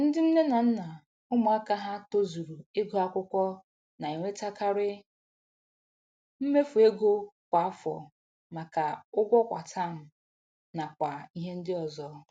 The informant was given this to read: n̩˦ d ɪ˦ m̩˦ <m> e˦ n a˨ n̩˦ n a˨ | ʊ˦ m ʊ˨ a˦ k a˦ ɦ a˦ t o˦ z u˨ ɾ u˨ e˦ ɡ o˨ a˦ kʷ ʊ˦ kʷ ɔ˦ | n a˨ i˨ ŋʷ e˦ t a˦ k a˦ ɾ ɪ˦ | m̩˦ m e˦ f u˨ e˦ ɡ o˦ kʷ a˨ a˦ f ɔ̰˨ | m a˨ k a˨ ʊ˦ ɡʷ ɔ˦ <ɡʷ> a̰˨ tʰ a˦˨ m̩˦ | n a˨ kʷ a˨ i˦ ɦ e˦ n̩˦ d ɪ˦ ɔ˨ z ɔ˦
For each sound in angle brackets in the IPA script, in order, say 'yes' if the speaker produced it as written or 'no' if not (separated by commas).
no, no